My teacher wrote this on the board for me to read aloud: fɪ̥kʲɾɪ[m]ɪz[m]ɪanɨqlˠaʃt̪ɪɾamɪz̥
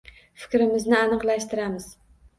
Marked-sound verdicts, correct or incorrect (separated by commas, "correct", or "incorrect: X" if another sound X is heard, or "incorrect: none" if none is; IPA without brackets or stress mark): correct, incorrect: n